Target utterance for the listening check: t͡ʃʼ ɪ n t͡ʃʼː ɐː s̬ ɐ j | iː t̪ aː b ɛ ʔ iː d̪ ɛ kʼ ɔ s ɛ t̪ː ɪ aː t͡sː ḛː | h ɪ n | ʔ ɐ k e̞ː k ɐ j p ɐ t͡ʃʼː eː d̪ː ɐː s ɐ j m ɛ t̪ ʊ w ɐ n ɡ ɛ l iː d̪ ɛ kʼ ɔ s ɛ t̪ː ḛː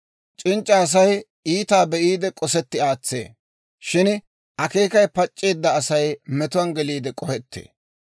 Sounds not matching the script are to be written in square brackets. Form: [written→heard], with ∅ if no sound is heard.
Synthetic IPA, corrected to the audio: t͡ʃʼ ɪ n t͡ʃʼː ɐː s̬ ɐ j | iː t̪ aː b ɛ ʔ iː d̪ ɛ kʼ ɔ s ɛ t̪ː ɪ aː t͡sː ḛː | [h→ʃ] ɪ n | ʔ ɐ k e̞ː k ɐ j p ɐ t͡ʃʼː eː d̪ː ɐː s ɐ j m ɛ t̪ ʊ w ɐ n ɡ ɛ l iː d̪ ɛ kʼ ɔ [s→h] ɛ t̪ː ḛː